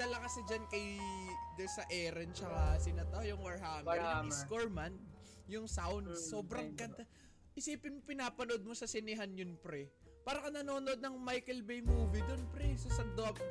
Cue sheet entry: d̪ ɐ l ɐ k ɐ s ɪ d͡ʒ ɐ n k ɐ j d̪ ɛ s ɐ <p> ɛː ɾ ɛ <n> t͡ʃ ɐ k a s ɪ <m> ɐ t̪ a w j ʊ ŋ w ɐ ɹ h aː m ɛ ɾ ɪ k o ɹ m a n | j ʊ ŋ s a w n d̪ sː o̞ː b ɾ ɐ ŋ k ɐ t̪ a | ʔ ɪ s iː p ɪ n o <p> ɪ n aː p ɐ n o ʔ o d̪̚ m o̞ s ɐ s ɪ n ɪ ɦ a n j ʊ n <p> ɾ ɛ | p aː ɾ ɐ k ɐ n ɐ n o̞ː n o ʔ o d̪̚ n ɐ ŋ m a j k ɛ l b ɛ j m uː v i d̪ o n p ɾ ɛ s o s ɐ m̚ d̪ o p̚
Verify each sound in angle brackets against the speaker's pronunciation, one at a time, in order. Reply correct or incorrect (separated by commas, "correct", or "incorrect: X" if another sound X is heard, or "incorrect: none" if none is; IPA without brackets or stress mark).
incorrect: ʔ, correct, incorrect: n, correct, correct